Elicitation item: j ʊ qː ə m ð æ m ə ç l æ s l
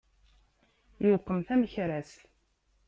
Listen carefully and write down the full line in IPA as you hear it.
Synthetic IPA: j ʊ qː ə m θ æ m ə ç ɾ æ s l